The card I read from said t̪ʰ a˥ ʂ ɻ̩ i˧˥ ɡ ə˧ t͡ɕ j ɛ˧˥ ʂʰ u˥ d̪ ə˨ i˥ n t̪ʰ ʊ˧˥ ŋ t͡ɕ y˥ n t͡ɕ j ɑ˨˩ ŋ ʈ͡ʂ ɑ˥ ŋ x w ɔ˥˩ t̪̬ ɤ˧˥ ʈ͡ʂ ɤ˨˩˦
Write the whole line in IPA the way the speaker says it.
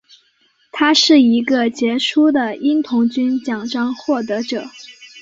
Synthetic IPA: t̪ʰ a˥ ʂ ɻ̩ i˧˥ ɡ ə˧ t͡ɕ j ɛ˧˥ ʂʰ u˥ d̪ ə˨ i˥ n t̪ʰ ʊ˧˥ ŋ t͡ɕ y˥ n t͡ɕ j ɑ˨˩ ŋ ʈ͡ʂ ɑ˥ ŋ x w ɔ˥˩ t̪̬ ɤ˧˥ ʈ͡ʂ ɤ˨˩˦